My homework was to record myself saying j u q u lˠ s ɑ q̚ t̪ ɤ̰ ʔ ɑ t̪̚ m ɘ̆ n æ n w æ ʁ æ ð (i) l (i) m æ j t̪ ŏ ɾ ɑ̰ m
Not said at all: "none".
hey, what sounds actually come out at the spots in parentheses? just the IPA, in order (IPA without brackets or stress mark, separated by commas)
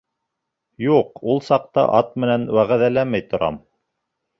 æ, æ